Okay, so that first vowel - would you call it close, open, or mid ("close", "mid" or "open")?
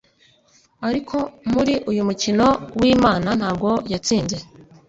open